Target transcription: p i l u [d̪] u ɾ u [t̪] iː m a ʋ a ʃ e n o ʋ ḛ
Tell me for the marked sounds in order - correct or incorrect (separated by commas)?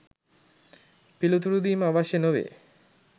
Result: incorrect, incorrect